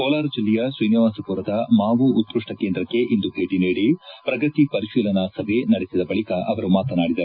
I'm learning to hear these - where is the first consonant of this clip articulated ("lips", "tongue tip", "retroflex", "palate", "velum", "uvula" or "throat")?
velum